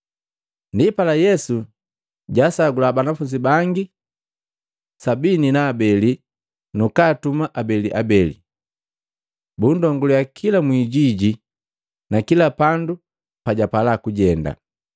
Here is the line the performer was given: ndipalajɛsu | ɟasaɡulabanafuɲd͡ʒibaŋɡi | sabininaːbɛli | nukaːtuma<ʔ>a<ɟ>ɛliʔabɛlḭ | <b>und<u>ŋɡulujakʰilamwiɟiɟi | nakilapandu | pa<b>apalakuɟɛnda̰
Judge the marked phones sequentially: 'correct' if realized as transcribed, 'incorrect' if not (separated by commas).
correct, incorrect, correct, incorrect, incorrect